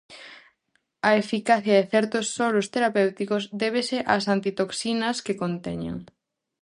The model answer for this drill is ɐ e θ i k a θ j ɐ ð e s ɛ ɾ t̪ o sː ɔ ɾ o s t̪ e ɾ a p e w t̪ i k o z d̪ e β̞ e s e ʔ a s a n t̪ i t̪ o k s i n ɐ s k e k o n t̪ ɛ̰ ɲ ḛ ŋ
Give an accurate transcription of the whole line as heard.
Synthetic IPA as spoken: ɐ e f i k a θ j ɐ ð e θ ɛ ɾ t̪ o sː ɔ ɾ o s t̪ e ɾ a p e w t̪ i k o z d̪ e β̞ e s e ʔ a s a n t̪ i t̪ o k s i n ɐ s k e k o n t̪ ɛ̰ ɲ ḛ ŋ